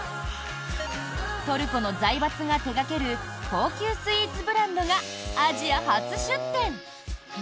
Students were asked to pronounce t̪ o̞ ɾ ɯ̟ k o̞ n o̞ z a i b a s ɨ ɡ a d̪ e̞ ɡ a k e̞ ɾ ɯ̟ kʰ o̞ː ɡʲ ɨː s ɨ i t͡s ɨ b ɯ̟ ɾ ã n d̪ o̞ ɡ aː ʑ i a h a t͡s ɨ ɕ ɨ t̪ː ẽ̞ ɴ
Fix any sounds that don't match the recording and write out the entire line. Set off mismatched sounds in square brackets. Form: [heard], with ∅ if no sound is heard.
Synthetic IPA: t̪ o̞ ɾ ɯ̟ k o̞ n o̞ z a i b a [t͡s] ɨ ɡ a [t̪] e̞ ɡ a k e̞ ɾ ɯ̟ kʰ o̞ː [kʲ] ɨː s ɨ i t͡s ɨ b ɯ̟ ɾ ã n d̪ o̞ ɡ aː ʑ i a h a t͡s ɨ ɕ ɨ t̪ː ẽ̞ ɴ